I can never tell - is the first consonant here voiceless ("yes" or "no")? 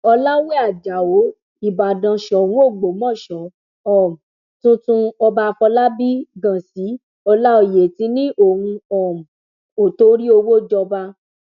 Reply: no